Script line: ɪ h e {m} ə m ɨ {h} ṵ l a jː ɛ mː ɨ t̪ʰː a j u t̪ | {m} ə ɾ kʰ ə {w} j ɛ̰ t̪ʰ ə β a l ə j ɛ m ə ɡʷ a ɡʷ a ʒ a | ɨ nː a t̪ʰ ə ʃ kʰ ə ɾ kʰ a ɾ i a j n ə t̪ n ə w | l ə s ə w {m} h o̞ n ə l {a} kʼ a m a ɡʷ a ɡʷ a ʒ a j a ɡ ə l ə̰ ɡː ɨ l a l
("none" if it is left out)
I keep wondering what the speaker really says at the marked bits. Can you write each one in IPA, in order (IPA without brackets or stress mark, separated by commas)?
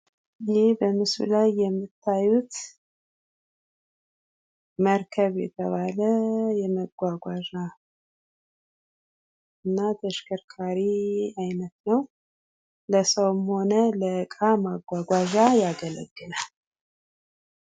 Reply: b, s, m, β, m, ə